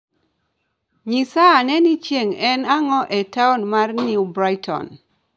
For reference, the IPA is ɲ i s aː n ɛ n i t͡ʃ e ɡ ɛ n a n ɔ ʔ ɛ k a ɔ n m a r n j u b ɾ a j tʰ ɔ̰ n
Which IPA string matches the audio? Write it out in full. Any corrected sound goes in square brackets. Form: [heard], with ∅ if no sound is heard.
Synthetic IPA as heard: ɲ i s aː n ɛ n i t͡ʃ e [ŋ] ɛ n a [ŋ] ɔ ʔ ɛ [t] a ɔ n m a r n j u b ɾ a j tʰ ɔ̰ n